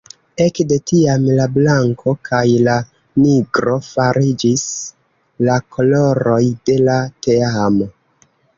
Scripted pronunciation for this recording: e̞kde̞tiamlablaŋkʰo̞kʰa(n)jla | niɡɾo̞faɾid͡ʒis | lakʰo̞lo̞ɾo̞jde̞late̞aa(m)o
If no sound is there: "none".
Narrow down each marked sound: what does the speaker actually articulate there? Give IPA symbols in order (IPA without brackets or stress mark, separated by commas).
none, m